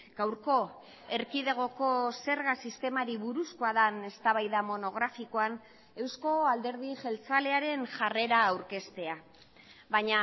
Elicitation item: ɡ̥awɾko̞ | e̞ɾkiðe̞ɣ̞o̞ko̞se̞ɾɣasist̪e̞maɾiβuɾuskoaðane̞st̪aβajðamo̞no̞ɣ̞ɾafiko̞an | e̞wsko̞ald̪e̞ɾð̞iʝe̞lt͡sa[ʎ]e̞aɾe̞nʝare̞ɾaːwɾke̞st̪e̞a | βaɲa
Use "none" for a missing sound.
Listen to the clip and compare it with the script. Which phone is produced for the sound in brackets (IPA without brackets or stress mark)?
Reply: l